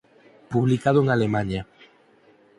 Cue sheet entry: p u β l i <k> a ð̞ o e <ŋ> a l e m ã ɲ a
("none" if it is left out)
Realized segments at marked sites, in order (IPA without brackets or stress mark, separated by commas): k, ŋ